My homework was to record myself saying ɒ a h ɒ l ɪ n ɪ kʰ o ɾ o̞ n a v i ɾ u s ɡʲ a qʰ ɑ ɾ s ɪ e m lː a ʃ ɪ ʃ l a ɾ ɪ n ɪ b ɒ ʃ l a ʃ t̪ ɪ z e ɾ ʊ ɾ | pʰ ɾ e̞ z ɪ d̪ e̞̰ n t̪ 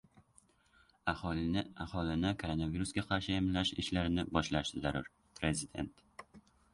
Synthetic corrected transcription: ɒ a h ɒ l ɪ n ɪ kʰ o ɾ o̞ n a v i ɾ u s ɡʲ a qʰ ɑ ɾ ʃ ɪ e m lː a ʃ ɪ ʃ l a ɾ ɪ n ɪ b ɒ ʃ l a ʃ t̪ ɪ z a ɾ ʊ ɾ | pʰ ɾ e̞ z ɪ d̪ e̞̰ n t̪